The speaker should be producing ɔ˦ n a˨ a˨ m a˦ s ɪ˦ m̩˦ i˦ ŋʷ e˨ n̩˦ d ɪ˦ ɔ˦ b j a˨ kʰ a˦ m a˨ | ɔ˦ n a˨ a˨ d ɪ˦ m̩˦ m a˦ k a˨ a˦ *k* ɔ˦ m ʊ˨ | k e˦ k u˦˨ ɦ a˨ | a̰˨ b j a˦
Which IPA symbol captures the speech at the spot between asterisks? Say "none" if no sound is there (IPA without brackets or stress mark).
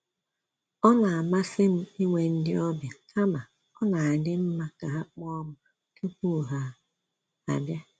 k͡p